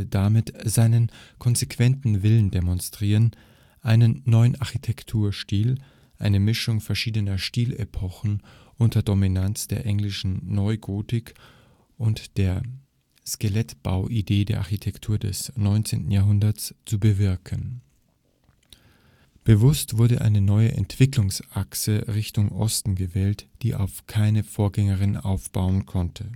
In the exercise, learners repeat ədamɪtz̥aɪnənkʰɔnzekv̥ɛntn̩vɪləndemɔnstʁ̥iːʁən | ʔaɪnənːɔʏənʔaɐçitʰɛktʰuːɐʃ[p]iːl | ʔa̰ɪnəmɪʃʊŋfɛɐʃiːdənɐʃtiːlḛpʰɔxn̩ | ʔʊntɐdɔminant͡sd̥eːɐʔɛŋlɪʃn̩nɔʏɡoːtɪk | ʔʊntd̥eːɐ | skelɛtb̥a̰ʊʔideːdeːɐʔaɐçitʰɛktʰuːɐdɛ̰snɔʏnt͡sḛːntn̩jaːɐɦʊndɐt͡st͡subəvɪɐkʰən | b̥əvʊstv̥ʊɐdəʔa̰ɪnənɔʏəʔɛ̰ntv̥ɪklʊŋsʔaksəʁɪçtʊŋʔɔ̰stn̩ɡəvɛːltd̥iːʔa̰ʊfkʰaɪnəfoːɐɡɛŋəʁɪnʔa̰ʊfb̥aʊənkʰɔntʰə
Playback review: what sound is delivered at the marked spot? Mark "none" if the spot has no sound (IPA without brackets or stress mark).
t